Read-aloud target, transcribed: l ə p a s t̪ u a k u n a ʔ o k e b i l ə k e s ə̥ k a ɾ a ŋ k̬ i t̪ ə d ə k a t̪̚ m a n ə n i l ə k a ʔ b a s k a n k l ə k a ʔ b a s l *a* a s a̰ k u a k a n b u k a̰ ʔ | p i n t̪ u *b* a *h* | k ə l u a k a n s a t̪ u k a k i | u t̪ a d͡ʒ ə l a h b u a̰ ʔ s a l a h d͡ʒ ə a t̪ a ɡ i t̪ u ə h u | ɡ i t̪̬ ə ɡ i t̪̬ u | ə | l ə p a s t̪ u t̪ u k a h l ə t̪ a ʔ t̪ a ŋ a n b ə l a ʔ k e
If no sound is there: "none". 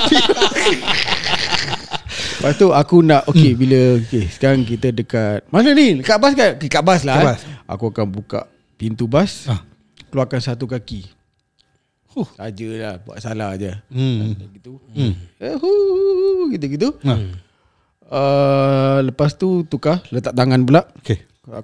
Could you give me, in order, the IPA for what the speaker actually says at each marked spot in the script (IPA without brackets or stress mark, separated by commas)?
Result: a, b, s